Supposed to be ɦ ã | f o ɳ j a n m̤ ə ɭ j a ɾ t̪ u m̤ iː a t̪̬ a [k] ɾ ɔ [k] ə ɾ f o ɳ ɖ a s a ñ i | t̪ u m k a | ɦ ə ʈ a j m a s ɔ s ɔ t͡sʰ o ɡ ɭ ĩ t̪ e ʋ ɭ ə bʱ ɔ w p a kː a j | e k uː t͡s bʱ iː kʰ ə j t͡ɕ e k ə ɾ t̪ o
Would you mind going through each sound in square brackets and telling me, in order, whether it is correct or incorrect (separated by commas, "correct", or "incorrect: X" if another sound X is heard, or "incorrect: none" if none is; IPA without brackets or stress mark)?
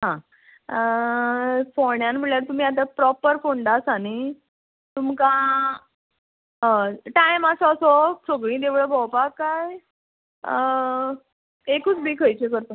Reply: incorrect: p, incorrect: p